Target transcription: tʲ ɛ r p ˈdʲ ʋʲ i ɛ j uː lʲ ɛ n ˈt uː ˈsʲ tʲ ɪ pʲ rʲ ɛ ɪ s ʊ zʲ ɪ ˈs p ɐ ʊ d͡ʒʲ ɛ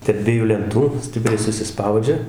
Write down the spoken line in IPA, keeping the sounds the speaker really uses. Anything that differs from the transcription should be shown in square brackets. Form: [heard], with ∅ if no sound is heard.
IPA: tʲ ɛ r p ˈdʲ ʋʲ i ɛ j uː lʲ ɛ n ˈt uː ˈsʲ tʲ ɪ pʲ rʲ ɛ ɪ s ʊ [sʲ] ɪ ˈs p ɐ ʊ d͡ʒʲ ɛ